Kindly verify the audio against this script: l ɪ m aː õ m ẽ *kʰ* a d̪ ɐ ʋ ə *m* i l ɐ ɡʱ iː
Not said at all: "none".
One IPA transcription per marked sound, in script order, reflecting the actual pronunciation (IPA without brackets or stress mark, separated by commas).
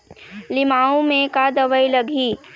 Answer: k, none